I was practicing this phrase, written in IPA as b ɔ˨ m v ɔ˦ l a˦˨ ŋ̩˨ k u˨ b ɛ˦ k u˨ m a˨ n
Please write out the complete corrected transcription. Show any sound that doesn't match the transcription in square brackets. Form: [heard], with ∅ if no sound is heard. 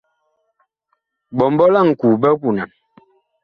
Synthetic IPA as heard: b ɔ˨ m [b] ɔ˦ l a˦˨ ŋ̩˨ k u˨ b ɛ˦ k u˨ [n] a˨ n